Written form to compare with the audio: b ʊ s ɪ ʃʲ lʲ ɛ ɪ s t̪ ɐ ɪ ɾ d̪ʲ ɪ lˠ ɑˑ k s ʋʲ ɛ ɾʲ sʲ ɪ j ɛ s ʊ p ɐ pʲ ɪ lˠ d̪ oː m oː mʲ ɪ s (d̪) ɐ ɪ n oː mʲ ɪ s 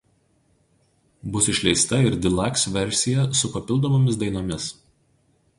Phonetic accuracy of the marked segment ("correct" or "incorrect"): correct